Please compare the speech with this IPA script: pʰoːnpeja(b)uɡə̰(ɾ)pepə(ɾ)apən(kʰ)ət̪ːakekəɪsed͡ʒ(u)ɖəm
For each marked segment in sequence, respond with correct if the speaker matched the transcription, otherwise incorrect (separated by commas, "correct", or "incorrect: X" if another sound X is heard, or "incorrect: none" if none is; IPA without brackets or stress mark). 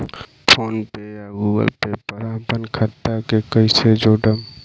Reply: incorrect: ɡ, incorrect: l, correct, correct, incorrect: o